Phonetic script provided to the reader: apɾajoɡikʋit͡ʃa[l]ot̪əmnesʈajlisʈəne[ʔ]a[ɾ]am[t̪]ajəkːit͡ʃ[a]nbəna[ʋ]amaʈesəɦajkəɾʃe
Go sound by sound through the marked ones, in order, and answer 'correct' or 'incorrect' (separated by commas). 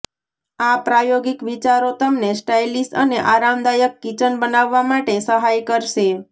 incorrect, correct, correct, incorrect, incorrect, incorrect